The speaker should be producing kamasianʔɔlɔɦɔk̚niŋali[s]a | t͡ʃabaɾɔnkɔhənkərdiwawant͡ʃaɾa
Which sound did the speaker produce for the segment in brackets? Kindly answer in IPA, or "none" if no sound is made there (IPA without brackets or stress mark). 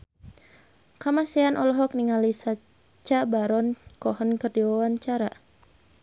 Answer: s